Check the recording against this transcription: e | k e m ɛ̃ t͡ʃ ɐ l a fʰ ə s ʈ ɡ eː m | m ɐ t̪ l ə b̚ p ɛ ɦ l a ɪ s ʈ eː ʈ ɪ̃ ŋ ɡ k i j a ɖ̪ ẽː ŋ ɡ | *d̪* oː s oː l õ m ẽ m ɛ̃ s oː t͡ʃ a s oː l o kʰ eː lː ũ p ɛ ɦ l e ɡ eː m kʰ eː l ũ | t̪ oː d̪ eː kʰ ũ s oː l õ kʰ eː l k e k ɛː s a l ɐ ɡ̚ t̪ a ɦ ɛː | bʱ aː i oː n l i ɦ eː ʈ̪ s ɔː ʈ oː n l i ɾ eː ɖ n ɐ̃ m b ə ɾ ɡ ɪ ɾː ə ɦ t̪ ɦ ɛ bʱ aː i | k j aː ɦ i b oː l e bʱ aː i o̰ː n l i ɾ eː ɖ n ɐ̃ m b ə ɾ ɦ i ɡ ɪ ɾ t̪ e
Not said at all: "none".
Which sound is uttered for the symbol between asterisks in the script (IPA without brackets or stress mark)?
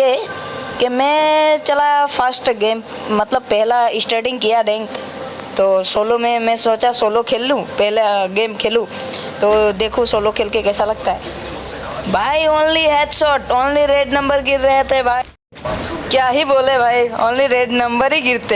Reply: t̪